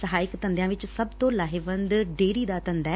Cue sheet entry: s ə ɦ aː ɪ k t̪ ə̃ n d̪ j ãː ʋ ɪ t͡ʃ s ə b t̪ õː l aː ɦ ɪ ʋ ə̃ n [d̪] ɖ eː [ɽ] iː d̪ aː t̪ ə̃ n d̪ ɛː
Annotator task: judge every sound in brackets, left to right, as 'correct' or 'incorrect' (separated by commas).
correct, incorrect